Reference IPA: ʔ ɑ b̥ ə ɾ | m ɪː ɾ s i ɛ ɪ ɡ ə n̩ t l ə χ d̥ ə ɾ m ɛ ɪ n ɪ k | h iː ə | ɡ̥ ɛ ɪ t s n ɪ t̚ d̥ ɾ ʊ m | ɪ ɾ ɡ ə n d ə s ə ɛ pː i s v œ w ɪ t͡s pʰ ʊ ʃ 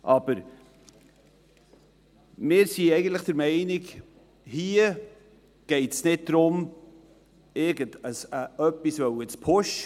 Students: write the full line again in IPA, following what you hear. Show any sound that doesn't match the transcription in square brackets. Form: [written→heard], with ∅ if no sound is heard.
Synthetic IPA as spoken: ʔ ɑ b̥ ə ɾ | m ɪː ɾ s i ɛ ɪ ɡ ə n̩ t l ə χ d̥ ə ɾ m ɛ ɪ n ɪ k | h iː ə | ɡ̥ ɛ ɪ t s n ɪ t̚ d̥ ɾ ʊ m | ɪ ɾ ɡ ə n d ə s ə [ɛ→œ] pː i s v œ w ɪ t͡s pʰ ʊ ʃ